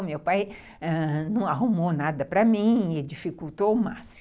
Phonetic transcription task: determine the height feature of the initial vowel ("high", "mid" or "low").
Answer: mid